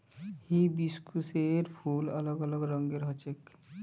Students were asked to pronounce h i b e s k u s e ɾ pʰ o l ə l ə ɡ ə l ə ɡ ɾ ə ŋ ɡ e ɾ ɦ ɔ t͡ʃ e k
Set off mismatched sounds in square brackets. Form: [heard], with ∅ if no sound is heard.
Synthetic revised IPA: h i b [i] s k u s e ɾ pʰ [u] l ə l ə ɡ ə l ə ɡ ɾ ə ŋ ɡ e ɾ ɦ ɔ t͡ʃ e k